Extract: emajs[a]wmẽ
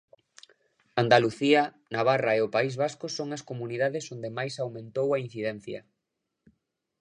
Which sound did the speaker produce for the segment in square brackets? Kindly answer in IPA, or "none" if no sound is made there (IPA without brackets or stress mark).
a